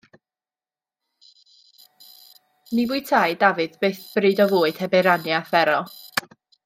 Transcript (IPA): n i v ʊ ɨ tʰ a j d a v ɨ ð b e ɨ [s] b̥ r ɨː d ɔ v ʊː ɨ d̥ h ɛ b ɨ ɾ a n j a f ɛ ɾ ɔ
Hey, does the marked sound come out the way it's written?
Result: no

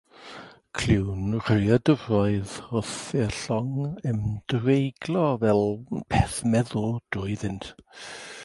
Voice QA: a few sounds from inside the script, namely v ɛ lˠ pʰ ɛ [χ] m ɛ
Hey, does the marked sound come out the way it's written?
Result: no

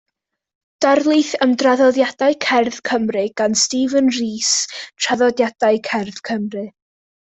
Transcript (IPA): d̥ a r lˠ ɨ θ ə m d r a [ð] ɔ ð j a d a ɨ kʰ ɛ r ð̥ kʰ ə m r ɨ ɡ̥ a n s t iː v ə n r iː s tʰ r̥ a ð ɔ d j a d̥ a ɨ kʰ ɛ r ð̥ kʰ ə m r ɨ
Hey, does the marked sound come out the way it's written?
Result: yes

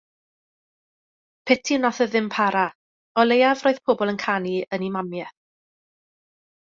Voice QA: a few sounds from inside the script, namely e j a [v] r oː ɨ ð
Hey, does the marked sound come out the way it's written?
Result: yes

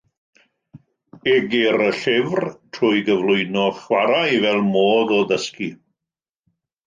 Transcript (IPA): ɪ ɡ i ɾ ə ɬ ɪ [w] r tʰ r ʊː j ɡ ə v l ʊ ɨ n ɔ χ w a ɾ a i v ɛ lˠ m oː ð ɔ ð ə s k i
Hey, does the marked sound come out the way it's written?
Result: no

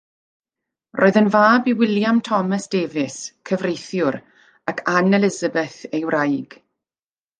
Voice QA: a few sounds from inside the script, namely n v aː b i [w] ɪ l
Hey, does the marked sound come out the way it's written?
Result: yes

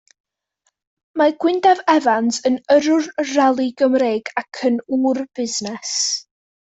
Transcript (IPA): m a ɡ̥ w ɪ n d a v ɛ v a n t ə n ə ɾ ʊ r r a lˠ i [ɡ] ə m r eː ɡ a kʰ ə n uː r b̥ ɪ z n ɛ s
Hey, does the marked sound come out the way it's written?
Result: yes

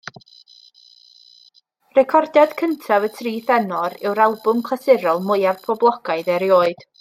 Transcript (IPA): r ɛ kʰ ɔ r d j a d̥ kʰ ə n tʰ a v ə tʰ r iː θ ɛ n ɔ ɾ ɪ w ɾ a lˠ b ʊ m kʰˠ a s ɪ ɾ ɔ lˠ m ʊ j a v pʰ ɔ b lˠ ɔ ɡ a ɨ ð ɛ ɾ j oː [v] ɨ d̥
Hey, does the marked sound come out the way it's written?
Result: no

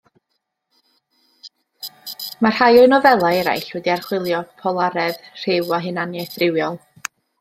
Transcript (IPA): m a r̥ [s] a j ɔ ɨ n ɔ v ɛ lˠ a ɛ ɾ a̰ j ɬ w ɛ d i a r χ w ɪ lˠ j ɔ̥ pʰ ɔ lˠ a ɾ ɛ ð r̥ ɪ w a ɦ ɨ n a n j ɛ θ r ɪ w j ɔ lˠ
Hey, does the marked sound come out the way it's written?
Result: no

